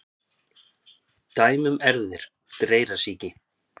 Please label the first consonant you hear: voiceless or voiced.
voiceless